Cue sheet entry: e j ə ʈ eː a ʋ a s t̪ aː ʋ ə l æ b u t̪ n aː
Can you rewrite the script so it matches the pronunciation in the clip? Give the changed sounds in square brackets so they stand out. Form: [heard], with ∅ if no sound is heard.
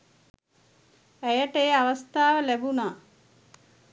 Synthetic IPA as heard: [æ] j ə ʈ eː a ʋ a s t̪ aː ʋ ə l æ b u [∅] n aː